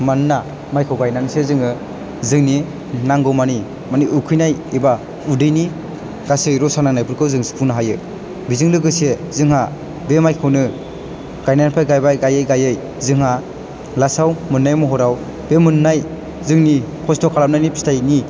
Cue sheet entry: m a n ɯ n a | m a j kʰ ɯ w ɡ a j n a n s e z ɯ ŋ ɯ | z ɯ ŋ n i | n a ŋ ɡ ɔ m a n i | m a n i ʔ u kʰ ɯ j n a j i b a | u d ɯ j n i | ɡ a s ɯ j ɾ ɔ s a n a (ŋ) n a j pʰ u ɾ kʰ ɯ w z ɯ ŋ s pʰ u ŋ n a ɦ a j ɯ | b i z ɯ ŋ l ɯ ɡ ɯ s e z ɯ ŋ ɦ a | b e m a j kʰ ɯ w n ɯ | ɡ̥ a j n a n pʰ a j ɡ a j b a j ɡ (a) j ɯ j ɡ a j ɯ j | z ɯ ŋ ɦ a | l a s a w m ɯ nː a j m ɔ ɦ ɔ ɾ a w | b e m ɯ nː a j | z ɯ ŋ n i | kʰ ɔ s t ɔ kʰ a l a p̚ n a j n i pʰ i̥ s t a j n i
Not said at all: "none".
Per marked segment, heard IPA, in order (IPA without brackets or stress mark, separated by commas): ŋ, a